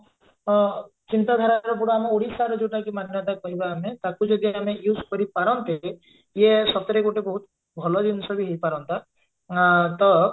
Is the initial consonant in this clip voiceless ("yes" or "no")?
yes